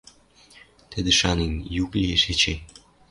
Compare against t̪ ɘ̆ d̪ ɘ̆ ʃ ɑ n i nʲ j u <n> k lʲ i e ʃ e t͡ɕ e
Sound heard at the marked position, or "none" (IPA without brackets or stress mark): none